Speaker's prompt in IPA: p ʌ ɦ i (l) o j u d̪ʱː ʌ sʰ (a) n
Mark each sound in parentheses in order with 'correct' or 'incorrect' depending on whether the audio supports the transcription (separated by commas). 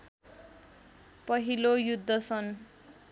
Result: correct, incorrect